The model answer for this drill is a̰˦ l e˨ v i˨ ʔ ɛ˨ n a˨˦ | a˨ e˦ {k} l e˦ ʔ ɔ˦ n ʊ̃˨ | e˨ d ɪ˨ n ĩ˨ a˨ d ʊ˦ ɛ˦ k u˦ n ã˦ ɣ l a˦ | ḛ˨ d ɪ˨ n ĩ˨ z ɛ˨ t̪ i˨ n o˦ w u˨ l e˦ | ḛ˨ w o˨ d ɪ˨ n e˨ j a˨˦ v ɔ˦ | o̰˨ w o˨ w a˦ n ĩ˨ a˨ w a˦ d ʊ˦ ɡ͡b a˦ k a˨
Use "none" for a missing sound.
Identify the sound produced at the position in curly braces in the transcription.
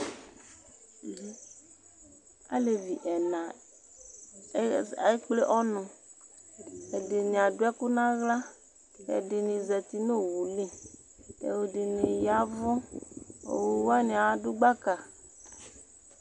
k͡p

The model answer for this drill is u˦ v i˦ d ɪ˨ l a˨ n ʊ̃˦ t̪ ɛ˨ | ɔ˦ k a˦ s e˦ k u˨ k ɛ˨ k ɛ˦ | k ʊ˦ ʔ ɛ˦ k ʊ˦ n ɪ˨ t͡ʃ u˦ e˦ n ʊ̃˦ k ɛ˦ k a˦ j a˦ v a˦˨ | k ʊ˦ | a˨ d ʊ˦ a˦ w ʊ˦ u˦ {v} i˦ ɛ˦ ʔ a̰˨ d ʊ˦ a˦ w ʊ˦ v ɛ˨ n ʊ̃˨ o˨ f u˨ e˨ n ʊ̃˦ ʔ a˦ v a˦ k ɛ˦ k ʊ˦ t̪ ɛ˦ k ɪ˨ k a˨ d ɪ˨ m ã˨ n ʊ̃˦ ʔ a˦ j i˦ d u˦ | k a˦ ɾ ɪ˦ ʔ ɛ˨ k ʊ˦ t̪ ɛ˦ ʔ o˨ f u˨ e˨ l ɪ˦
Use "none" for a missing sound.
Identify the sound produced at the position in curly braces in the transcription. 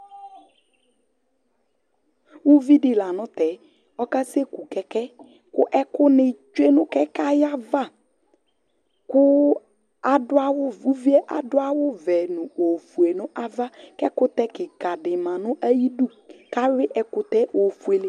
v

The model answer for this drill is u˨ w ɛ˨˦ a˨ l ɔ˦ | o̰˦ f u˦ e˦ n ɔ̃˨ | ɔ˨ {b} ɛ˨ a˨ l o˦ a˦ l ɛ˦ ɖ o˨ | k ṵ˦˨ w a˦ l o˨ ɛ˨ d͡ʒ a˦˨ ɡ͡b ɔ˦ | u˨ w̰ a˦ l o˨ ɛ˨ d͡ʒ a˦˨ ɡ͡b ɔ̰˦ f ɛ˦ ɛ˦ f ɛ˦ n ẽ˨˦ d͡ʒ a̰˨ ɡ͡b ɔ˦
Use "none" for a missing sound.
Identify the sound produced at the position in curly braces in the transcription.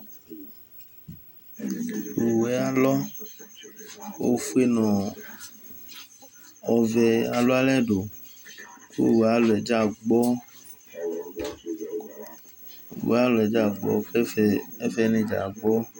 v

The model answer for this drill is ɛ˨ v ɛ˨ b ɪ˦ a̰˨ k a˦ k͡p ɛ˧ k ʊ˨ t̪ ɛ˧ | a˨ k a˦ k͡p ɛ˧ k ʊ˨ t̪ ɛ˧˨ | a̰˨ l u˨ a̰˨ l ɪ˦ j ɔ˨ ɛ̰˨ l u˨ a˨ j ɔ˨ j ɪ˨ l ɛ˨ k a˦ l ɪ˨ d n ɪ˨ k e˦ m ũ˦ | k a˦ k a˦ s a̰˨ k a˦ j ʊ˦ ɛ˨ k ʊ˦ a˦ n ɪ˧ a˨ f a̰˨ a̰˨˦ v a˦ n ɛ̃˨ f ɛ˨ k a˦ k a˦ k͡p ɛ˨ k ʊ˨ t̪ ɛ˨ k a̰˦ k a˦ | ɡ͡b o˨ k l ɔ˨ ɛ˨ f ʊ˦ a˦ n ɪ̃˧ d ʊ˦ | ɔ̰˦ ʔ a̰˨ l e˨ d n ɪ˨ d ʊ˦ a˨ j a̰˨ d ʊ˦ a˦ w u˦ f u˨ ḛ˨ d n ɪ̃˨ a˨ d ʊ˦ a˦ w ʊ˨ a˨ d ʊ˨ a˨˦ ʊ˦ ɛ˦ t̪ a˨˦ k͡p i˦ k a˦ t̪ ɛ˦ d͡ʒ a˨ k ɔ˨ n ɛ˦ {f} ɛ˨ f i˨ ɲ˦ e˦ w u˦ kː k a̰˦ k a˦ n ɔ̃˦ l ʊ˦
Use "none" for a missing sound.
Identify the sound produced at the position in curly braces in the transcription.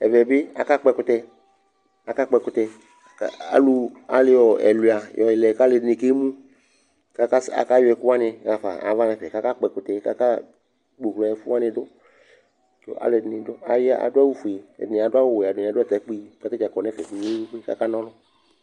f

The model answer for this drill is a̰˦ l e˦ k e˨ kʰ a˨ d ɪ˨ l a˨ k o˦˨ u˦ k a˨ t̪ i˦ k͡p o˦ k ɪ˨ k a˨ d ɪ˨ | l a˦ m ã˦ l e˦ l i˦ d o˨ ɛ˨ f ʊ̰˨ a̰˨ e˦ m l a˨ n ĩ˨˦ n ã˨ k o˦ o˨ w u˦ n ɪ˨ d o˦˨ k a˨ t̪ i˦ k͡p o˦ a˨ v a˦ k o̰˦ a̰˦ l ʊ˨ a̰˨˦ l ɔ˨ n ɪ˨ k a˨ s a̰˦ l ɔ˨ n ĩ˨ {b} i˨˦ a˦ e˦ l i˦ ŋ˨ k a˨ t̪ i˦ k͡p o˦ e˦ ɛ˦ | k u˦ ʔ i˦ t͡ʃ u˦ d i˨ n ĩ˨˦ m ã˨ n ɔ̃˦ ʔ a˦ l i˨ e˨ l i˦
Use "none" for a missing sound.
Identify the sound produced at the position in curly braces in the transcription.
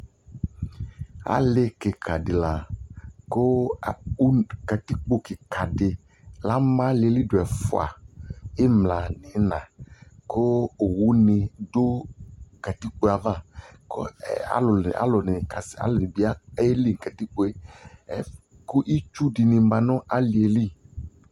b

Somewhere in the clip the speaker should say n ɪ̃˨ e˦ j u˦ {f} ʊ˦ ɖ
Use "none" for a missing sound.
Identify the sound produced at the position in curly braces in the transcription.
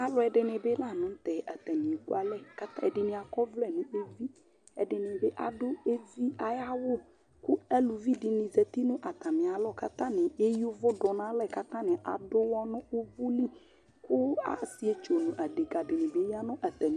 v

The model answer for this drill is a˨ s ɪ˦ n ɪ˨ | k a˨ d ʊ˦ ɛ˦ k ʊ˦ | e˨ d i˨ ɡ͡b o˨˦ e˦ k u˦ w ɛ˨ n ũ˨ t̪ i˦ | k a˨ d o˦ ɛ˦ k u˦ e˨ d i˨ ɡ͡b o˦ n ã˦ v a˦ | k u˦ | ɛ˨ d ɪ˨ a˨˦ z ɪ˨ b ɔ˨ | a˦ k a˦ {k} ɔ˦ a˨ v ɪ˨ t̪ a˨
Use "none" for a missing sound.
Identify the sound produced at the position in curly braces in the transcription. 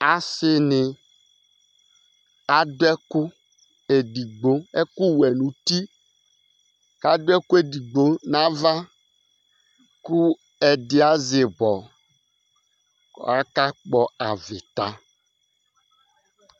k͡p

